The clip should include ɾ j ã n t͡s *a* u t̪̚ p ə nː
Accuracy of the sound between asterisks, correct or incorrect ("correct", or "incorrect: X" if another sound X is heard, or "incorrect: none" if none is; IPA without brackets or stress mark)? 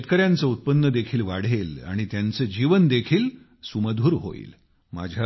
incorrect: ə